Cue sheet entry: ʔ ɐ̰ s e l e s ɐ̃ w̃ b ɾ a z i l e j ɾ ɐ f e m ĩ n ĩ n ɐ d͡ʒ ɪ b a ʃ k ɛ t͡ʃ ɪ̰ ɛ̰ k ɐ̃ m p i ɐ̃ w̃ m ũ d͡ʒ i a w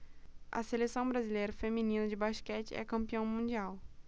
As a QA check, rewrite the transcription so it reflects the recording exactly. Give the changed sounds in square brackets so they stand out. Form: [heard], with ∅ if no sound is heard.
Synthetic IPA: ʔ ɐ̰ s e l e s ɐ̃ w̃ b ɾ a z i l e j ɾ ɐ f e m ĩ n ĩ n ɐ d͡ʒ ɪ b a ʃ k ɛ t͡ʃ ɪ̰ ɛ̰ k ɐ̃ m p i ɐ̃ w̃ m ũ d͡ʒ i a w